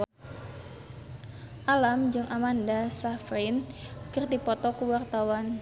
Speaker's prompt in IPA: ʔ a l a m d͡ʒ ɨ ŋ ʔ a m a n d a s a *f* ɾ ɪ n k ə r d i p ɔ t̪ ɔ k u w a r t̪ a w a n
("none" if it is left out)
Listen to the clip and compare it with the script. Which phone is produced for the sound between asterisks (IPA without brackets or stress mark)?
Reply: f